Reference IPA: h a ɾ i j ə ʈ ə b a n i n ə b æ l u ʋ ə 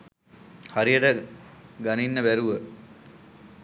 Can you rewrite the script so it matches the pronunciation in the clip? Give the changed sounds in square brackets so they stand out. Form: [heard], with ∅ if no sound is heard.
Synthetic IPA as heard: h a ɾ i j ə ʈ ə [ɡ] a n i [nː] ə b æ [ɾ] u ʋ ə